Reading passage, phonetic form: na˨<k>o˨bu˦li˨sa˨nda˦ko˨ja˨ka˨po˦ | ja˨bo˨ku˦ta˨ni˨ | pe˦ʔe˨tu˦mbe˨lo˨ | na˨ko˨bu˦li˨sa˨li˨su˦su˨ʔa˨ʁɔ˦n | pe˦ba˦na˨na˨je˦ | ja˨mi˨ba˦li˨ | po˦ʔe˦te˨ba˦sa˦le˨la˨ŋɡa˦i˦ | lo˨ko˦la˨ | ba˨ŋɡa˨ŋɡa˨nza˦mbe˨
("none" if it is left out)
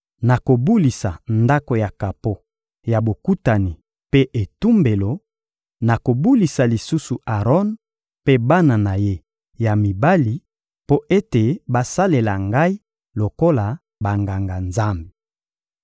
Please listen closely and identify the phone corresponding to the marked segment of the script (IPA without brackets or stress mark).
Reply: k